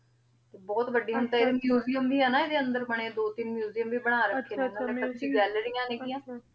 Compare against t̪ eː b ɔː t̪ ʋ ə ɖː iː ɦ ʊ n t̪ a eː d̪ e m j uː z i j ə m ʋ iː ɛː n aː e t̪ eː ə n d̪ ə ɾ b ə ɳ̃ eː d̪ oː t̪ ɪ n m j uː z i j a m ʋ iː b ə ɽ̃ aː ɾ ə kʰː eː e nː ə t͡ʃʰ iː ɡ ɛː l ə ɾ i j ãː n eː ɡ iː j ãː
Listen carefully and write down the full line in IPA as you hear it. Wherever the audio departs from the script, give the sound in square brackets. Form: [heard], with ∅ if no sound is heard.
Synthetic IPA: t̪ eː b ɔː t̪ ʋ ə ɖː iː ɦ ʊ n t̪ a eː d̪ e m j uː z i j ə m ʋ iː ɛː n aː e [d̪] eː ə n d̪ ə ɾ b ə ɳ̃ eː d̪ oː t̪ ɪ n m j uː z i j [ə] m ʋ iː b ə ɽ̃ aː ɾ ə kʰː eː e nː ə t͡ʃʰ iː ɡ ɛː l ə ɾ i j ãː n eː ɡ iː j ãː